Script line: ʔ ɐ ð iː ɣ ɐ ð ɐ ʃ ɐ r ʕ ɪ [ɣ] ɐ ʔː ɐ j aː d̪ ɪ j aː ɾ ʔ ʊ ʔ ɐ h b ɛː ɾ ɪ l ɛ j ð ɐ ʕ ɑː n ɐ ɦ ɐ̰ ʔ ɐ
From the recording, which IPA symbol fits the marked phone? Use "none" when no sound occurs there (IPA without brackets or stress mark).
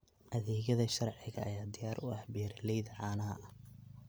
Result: ɣ